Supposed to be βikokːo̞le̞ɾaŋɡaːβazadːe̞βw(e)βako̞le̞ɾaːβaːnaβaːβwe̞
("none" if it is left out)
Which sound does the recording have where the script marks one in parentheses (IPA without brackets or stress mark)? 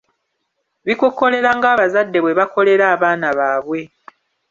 e